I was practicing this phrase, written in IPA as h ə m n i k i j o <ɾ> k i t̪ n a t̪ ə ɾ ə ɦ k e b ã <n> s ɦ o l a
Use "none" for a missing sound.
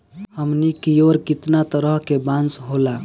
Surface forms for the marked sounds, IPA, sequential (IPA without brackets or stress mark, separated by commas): ɾ, n